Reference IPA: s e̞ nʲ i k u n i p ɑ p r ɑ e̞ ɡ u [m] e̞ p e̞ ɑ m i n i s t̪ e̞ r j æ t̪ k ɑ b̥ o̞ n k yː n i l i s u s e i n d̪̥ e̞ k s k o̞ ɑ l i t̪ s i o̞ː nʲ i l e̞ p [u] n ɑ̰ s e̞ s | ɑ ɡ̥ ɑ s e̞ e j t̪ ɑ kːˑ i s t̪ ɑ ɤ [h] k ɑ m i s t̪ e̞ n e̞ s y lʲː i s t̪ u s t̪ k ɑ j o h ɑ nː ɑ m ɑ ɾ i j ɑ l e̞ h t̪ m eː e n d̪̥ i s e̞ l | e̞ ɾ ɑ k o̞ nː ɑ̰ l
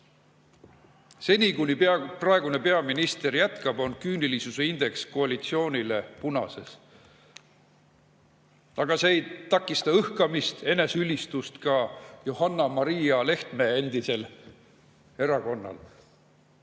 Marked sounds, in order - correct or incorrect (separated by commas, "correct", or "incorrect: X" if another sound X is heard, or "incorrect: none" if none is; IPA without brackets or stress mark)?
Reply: incorrect: n, correct, correct